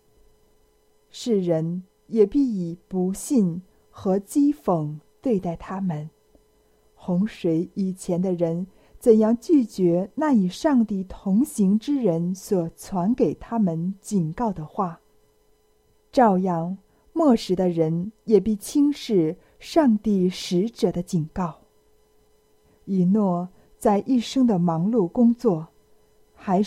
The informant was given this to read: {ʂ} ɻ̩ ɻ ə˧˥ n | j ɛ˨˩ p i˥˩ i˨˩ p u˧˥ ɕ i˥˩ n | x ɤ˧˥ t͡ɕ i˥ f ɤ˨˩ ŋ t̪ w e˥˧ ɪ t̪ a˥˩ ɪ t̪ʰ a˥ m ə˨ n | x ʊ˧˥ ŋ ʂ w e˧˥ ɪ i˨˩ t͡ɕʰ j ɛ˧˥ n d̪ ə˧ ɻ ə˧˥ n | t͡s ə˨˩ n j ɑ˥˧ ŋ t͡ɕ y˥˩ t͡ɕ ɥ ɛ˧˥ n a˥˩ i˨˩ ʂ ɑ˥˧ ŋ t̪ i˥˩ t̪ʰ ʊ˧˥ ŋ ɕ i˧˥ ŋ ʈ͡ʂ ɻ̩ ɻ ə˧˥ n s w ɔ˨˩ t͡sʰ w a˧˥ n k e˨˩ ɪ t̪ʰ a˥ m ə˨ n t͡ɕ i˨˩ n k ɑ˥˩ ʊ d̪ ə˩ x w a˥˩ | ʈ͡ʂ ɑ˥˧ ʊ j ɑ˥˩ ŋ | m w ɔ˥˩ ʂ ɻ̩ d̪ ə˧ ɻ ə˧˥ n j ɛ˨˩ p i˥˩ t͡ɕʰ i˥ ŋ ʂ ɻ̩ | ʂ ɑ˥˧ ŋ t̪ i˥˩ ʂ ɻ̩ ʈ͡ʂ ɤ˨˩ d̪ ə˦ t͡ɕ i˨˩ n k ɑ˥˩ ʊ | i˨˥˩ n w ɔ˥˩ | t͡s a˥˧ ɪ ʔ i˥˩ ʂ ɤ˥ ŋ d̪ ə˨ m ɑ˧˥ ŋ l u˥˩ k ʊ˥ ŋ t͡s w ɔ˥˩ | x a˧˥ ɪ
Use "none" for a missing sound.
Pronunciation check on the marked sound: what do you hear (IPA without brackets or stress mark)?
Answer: ʂ